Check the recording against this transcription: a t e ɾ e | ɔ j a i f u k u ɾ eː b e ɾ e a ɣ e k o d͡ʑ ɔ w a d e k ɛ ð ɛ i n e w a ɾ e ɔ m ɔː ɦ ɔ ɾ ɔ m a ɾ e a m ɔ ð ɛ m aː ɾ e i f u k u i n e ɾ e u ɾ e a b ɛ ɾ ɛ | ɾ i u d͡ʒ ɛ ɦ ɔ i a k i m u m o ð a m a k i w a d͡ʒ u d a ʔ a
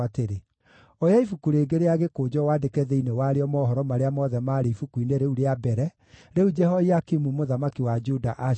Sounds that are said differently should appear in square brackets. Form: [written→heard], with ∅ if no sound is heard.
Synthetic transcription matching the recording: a t e ɾ e | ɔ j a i f u k u ɾ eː [b→ɡ] e ɾ e a ɣ e k o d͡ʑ ɔ w a d e k ɛ ð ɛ i n e w a ɾ e ɔ m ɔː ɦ ɔ ɾ ɔ m a ɾ e a m ɔ ð ɛ m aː ɾ e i f u k u i n e ɾ e u ɾ e a b ɛ ɾ ɛ | ɾ [i→e] u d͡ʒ ɛ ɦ ɔ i a k i m u m o ð a m a k i w a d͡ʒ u d a ʔ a